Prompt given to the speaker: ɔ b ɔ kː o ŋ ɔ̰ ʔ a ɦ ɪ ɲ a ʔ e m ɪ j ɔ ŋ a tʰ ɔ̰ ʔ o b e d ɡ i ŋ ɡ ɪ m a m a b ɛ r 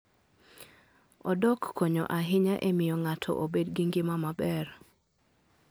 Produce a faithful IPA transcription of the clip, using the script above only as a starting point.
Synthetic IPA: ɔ d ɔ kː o ɲ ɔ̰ ʔ a ɦ ɪ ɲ a ʔ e m ɪ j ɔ ŋ a tʰ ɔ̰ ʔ o b e d ɡ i ŋ ɡ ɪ m a m a b ɛ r